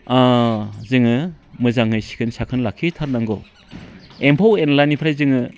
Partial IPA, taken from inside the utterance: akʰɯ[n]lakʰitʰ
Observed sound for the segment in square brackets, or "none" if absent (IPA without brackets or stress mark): n